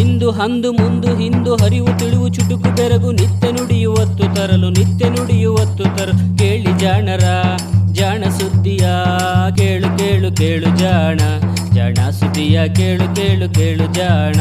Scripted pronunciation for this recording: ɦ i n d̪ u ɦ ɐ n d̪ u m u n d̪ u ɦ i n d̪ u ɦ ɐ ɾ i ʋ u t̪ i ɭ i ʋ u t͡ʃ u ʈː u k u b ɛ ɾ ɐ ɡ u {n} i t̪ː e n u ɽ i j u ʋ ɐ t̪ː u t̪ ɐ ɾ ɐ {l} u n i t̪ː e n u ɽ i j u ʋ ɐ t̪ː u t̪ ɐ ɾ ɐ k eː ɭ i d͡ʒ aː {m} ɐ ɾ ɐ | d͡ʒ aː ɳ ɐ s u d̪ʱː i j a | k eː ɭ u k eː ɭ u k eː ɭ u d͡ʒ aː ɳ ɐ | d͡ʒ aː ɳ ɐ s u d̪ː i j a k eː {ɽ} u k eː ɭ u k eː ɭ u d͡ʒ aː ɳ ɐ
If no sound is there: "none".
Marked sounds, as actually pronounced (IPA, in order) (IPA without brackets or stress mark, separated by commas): n, l, ɳ, ɭ